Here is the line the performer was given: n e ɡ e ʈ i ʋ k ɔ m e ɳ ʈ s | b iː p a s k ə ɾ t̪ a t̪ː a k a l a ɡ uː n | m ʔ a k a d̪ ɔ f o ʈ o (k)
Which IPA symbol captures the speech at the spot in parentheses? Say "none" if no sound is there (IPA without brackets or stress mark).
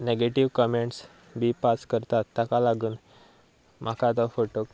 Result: k